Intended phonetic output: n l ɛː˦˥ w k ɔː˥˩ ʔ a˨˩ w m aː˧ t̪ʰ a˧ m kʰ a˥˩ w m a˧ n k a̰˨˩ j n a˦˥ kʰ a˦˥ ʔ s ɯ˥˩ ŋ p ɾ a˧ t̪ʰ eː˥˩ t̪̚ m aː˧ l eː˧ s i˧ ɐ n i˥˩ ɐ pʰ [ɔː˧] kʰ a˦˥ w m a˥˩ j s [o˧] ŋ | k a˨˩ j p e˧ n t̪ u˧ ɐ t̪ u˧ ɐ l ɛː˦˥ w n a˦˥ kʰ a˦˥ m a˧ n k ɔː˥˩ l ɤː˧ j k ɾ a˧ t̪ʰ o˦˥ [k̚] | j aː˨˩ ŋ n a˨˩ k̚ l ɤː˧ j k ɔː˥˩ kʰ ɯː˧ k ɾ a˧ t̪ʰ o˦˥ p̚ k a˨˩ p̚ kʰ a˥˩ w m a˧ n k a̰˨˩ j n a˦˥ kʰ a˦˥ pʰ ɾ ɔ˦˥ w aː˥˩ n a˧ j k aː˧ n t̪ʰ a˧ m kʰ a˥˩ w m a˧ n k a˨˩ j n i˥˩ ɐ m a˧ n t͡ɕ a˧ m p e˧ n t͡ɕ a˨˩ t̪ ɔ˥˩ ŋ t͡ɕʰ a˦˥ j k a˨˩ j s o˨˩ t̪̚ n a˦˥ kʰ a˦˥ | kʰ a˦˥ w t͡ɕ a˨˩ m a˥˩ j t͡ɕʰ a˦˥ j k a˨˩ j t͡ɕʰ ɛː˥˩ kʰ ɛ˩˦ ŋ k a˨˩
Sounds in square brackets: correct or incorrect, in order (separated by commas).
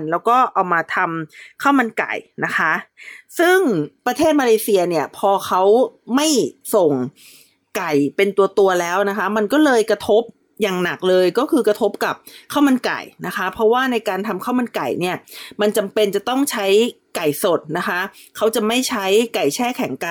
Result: correct, incorrect, incorrect